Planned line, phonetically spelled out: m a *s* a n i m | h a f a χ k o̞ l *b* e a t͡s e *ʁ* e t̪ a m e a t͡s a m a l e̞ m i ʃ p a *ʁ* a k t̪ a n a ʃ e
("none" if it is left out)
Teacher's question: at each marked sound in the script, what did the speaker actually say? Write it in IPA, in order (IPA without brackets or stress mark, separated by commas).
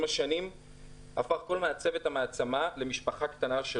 ʃ, m, v, χ